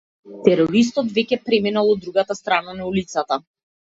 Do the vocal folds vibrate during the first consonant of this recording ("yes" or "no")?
no